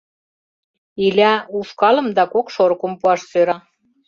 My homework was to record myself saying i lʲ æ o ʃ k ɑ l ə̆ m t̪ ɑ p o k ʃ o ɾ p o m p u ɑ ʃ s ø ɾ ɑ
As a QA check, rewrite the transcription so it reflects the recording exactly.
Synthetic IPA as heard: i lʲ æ u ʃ k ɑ l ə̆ m d̪ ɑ k o k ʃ o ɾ k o m p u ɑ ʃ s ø ɾ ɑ